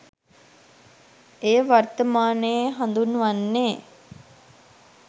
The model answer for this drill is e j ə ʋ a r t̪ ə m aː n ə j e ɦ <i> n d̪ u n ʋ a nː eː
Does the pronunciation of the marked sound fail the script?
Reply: yes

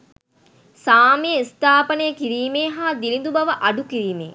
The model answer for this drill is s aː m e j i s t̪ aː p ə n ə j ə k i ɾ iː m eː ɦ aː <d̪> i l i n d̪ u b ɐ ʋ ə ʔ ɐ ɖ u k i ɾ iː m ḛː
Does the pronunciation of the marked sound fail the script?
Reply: no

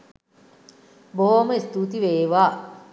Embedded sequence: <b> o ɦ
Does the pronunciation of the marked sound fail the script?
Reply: no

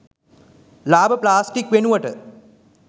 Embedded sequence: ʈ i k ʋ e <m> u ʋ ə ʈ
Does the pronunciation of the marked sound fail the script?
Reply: yes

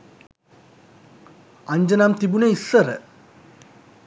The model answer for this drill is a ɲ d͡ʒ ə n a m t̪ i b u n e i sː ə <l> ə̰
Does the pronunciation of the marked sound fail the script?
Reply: yes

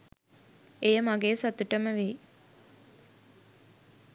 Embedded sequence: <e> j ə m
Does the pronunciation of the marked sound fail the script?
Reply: no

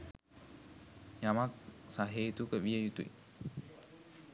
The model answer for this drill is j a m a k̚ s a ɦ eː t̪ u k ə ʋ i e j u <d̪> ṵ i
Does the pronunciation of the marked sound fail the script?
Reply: yes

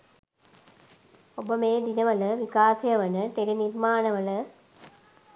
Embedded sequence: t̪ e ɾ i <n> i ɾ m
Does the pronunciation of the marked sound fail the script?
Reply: no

